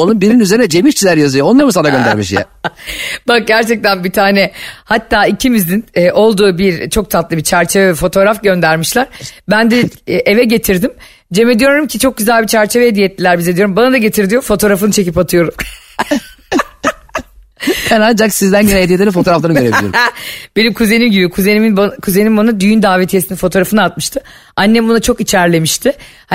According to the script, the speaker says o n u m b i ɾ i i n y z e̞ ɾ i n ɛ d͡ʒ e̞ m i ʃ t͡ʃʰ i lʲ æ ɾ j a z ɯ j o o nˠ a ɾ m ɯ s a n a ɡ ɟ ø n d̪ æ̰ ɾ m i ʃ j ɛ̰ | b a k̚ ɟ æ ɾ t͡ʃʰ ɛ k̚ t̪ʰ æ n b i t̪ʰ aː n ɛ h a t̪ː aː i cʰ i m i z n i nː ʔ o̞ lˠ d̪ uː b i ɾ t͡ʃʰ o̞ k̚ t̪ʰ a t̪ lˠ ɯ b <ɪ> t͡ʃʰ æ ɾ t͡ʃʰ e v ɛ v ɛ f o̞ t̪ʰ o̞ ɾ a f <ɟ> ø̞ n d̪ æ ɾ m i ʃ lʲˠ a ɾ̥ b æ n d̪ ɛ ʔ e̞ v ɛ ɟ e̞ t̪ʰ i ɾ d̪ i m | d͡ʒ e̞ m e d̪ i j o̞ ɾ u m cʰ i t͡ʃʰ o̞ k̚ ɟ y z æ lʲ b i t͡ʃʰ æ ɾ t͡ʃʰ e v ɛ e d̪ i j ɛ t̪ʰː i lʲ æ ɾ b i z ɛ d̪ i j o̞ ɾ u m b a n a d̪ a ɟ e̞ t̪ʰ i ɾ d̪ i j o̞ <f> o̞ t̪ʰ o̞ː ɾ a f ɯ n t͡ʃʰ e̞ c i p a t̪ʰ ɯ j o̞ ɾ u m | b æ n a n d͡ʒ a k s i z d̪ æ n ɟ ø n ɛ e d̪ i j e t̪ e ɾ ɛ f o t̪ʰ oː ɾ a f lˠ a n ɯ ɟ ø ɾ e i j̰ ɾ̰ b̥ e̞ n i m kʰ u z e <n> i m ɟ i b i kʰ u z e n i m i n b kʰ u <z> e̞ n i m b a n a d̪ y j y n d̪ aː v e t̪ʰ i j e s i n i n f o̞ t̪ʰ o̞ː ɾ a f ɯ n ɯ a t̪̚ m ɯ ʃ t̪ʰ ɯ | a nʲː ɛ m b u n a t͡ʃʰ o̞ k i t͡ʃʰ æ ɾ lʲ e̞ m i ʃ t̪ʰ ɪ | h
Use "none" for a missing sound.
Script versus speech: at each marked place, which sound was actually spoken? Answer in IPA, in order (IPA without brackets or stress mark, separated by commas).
i, ɟ, f, n, z